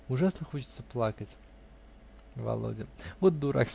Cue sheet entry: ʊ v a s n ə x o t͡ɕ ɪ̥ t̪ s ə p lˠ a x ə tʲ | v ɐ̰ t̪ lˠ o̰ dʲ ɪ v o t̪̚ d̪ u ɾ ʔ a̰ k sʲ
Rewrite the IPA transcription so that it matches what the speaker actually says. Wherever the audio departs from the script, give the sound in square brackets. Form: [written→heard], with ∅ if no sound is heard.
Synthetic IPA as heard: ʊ [v→ʐ] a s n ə x o t͡ɕ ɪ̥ t̪ s ə p lˠ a [x→k] ə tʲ | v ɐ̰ [t̪→∅] lˠ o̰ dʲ ɪ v o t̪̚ d̪ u ɾ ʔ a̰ k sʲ